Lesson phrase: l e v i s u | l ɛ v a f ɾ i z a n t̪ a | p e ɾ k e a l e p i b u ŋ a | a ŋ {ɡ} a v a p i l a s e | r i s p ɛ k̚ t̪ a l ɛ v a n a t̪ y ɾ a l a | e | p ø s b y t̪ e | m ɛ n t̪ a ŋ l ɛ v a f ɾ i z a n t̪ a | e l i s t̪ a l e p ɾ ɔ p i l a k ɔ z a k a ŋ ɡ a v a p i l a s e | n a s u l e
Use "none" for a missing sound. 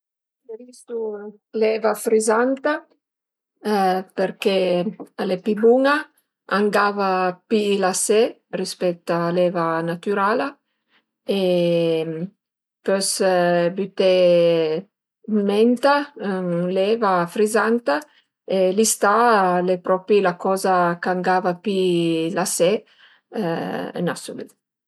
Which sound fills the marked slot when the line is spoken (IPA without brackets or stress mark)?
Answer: ɡ